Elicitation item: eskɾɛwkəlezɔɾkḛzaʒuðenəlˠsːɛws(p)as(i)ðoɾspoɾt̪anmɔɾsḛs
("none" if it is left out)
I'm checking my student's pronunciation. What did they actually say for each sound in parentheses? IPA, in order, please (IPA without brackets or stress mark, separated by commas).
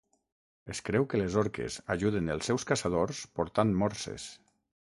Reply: k, a